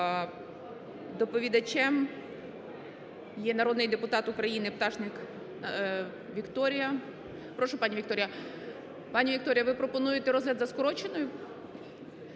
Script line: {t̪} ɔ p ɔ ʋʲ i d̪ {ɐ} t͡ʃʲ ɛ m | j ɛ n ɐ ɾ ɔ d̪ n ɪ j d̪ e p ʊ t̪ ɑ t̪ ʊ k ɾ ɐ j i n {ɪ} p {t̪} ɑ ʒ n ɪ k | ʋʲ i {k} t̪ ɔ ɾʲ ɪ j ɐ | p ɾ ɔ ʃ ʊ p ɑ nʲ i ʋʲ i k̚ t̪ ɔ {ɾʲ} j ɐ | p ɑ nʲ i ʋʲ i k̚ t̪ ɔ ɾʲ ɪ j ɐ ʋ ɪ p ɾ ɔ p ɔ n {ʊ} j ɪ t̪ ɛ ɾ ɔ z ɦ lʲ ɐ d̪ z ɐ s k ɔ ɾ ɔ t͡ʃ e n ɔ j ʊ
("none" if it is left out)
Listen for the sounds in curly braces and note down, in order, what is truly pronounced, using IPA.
d̪, ɐ, ɪ, t̪, k, ɾʲ, u

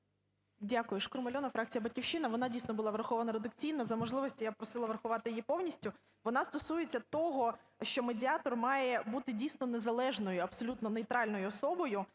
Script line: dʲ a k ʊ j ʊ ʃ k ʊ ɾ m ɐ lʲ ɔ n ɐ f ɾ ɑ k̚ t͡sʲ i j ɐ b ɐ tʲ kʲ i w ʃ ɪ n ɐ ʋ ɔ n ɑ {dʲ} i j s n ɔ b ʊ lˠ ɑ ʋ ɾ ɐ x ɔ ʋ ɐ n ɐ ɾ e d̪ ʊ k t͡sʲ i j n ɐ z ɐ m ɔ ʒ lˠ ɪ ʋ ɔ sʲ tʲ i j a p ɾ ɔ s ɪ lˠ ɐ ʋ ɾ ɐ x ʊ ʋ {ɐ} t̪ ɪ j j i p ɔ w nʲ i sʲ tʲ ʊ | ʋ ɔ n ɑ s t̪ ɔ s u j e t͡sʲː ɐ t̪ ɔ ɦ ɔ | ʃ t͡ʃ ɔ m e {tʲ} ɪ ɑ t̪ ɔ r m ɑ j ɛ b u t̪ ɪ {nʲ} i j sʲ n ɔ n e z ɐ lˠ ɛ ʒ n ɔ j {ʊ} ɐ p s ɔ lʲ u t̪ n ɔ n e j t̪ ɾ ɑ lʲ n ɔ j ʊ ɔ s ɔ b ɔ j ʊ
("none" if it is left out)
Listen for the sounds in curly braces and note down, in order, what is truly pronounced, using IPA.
dʲ, ɑ, dʲ, dʲ, ʊ

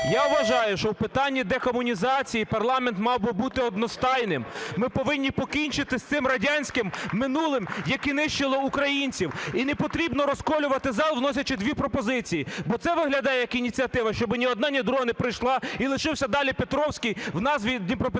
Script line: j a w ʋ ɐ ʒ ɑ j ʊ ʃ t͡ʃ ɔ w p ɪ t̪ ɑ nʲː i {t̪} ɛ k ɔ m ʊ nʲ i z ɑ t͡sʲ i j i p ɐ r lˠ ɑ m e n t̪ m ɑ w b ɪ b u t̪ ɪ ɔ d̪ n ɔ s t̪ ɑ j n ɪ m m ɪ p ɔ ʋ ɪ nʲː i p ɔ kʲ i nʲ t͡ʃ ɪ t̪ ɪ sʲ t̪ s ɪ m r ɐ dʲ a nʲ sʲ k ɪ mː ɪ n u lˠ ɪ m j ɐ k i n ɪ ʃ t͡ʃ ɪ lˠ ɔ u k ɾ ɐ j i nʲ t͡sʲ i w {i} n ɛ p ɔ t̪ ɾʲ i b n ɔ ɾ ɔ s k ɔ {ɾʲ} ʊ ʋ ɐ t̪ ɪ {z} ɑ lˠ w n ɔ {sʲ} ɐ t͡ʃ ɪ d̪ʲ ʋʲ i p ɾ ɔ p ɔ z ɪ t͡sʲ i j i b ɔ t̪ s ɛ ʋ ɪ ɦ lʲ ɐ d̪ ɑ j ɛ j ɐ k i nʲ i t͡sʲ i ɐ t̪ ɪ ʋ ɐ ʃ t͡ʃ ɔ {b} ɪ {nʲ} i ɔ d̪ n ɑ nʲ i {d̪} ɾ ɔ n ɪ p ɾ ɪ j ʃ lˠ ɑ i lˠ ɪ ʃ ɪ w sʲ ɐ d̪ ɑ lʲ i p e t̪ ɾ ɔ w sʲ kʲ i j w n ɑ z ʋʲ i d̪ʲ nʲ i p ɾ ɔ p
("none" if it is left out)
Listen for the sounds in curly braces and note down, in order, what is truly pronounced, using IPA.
d̪, i, lʲ, z, sʲ, b, nʲ, d̪

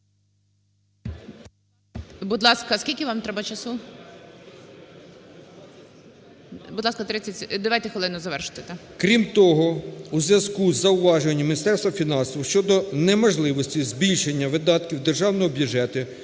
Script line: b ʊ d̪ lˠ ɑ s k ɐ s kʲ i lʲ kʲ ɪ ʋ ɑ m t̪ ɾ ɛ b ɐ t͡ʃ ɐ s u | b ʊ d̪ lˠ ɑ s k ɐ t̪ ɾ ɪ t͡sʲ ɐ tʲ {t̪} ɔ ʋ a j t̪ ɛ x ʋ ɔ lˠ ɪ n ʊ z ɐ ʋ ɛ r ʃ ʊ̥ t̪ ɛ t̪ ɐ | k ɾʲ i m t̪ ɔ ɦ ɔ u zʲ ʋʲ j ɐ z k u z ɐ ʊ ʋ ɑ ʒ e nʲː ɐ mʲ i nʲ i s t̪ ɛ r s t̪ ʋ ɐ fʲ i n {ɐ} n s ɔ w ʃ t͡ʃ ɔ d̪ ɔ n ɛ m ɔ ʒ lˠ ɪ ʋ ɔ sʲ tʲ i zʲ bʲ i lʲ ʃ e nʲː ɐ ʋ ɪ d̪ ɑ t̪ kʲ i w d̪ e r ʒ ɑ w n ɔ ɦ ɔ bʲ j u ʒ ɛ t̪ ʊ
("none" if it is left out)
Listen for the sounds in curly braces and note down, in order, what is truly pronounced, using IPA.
d̪, ɑ

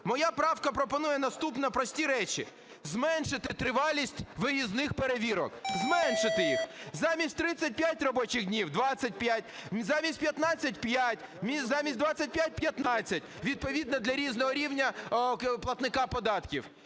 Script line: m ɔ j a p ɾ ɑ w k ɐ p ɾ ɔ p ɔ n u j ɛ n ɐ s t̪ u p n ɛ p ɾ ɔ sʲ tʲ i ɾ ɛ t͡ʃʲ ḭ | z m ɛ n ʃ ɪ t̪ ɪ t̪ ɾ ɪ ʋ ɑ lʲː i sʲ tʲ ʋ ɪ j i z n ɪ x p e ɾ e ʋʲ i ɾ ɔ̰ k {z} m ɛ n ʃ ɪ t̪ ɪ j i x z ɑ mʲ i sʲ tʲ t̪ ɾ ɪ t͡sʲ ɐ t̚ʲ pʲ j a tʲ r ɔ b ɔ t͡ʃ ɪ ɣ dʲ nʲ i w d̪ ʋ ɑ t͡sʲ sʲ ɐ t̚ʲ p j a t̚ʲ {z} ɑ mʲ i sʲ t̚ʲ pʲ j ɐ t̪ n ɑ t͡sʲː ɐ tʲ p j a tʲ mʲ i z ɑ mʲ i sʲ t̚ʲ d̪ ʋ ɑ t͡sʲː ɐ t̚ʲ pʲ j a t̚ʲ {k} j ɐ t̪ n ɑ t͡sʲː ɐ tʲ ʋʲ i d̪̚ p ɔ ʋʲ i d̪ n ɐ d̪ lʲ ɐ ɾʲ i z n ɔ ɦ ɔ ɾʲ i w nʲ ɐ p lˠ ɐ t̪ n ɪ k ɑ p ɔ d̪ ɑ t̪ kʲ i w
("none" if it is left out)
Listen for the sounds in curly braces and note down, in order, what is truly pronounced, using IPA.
z, z, p

